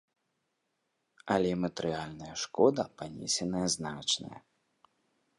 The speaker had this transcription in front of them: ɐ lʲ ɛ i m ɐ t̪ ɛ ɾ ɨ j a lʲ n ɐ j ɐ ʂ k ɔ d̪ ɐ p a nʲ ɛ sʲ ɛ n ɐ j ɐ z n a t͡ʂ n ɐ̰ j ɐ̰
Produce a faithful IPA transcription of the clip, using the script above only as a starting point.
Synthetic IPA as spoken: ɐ lʲ ɛ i m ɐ t̪ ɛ ɾ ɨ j a lʲ n ɐ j ɐ ʂ k ɔ d̪ ɐ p a nʲ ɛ sʲ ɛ n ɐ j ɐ z n a t͡ʂ n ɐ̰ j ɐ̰